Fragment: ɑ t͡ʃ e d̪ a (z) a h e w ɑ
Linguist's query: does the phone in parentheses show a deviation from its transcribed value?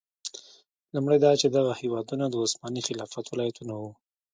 yes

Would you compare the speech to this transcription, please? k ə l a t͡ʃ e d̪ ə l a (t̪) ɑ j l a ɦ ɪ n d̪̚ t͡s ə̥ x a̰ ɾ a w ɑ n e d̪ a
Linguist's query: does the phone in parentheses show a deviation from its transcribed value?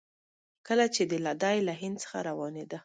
yes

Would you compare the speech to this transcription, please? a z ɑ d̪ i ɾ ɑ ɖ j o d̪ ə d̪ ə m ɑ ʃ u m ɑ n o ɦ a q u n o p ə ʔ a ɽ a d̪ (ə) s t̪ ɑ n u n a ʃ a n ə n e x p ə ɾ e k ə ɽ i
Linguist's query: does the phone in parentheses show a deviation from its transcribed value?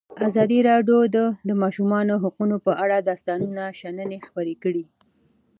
yes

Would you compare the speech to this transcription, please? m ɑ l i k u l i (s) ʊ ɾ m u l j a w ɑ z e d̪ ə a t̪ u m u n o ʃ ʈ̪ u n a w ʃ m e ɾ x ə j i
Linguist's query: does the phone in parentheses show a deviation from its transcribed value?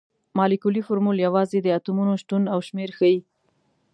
yes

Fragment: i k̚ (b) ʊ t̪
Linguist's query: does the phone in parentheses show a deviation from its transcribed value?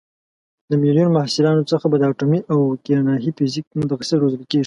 yes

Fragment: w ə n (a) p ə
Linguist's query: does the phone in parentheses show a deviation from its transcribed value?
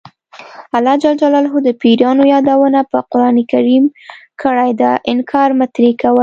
no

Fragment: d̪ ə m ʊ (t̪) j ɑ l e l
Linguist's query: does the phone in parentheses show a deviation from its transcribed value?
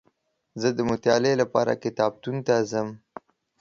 no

